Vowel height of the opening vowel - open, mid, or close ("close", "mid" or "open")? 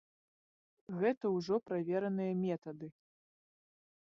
mid